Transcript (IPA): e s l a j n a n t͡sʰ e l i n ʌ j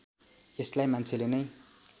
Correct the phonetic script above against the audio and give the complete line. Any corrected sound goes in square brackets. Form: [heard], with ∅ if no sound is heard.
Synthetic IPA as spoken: e s l a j [m] a n t͡sʰ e l [e] n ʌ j

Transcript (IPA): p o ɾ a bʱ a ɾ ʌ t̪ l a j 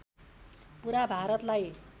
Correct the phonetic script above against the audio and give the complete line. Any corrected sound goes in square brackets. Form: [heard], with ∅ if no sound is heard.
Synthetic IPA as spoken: p [u] ɾ a bʱ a ɾ ʌ t̪ l a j

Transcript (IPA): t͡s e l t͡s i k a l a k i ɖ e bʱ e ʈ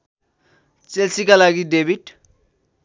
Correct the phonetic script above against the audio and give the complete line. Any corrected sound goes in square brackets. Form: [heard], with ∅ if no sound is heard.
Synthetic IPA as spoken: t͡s e l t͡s i k a l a [ɡ] i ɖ e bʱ [i] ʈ

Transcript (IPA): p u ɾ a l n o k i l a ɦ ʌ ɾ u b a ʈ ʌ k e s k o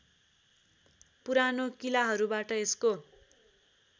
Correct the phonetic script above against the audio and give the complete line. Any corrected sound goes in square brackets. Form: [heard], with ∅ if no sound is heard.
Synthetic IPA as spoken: p u ɾ a [∅] n o k i l a ɦ ʌ ɾ u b a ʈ ʌ [∅] e s k o

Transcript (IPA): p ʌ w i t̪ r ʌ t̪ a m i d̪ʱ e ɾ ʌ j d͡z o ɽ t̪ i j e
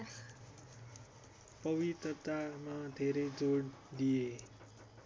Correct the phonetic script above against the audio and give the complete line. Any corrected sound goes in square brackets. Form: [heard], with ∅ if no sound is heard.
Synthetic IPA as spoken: p ʌ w i t̪ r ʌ t̪ a m [a] d̪ʱ e ɾ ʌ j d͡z o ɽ [d̪] i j e

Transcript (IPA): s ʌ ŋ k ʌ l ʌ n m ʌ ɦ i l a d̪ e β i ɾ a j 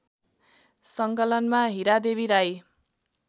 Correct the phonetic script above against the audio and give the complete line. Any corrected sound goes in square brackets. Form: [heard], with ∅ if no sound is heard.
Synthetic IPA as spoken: s ʌ ŋ k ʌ l ʌ n m [a] ɦ i [ɾ] a d̪ e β i ɾ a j

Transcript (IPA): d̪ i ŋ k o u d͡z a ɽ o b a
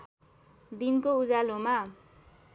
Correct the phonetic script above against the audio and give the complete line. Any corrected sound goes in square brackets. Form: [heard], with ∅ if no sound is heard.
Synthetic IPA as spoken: d̪ i [n] k o u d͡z a [l] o [m] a

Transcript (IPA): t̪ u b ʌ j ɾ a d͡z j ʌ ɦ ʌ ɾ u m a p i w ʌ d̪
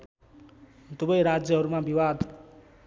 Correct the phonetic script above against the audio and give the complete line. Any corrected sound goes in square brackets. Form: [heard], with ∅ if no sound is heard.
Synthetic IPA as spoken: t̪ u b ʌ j ɾ a d͡z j ʌ ɦ ʌ ɾ u m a [b] i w [a] d̪

